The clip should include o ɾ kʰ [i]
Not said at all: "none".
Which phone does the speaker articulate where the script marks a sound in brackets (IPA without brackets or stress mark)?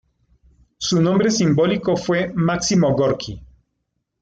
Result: i